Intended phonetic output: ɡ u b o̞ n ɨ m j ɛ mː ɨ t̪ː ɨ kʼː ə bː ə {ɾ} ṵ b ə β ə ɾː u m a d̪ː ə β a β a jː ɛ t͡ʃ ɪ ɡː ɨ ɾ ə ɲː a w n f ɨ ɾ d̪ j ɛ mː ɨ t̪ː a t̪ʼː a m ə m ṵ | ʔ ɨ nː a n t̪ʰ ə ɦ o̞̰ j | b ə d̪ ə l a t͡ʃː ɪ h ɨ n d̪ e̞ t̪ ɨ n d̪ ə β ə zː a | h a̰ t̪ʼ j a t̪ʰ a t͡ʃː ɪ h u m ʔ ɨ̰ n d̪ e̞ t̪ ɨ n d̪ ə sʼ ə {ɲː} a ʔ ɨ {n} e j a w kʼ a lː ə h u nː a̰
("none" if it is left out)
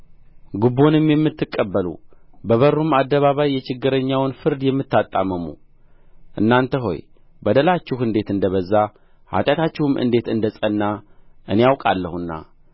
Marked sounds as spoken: l, nː, n

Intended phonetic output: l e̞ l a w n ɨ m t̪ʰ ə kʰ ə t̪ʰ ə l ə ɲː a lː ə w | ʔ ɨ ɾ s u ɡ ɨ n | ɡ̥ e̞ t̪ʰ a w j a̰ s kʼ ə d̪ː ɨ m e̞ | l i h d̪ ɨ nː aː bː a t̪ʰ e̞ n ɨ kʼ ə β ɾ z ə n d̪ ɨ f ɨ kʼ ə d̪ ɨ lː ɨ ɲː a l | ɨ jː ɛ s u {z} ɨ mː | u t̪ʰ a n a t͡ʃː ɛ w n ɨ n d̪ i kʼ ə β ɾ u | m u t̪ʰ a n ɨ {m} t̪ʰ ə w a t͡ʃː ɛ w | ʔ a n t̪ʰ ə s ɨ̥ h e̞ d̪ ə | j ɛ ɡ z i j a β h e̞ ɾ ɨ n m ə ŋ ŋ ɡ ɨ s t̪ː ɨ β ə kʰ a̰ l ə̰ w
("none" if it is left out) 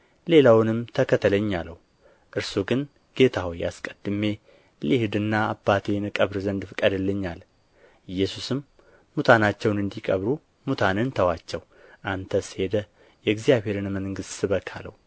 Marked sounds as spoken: s, n

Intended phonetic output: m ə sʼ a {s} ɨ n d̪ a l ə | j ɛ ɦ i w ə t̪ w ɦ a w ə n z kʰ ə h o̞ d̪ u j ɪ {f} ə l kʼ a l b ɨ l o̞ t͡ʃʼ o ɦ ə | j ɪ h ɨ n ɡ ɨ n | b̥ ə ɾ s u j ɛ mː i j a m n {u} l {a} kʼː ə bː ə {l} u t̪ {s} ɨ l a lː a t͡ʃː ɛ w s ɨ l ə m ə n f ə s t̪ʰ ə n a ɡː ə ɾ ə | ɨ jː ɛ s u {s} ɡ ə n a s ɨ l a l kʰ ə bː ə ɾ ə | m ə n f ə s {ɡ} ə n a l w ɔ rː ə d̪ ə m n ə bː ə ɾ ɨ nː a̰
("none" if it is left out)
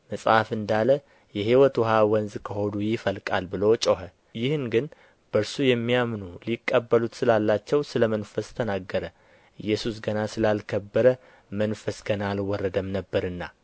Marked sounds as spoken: f, f, u, i, l, s, s, ɡ

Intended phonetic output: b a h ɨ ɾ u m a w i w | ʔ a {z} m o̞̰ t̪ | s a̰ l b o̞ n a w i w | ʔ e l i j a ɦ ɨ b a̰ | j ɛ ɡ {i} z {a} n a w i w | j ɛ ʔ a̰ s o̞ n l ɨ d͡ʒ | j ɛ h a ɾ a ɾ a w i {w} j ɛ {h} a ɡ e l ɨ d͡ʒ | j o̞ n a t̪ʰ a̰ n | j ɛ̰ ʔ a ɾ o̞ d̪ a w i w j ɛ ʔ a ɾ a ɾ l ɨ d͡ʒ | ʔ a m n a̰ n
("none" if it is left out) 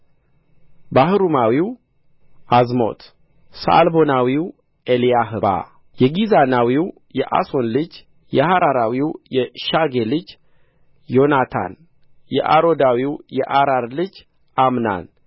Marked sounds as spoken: z, i, a, w, ʃ

